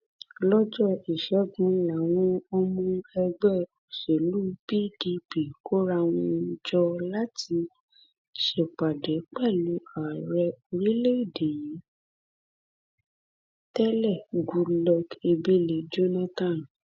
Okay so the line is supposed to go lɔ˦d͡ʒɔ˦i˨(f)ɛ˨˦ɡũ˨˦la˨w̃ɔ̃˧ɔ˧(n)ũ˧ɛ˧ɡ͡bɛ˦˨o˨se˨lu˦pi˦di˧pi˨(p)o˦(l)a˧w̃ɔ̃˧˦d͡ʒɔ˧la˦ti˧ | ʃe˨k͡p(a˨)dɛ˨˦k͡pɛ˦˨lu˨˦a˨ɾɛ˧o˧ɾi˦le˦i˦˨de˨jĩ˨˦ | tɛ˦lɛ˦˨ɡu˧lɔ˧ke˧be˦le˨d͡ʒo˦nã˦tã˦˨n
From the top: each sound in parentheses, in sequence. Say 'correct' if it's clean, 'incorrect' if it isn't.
incorrect: ʃ, incorrect: m, incorrect: k, incorrect: ɾ, correct

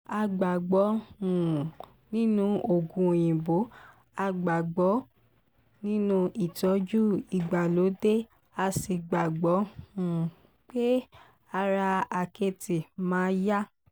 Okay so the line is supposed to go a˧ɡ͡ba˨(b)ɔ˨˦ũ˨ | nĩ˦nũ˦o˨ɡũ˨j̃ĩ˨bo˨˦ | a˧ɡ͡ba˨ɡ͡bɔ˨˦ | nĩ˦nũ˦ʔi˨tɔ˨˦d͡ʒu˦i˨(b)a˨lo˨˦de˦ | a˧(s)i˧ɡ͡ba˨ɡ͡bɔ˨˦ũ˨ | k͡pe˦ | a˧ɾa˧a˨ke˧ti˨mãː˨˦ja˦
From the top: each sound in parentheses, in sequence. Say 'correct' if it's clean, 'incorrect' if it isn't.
incorrect: ɡ͡b, incorrect: ɡ͡b, correct

